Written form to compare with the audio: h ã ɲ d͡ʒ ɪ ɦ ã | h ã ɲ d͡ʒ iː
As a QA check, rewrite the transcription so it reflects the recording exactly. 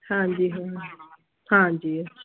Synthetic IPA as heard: h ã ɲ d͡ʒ i ɦ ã | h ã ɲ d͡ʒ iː